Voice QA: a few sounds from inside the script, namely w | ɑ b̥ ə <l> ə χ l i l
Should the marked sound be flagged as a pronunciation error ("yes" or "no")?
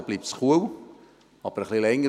yes